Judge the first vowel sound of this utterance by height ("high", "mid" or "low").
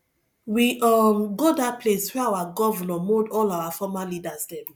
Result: high